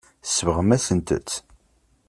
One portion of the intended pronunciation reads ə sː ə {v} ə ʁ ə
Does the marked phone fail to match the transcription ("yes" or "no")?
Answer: no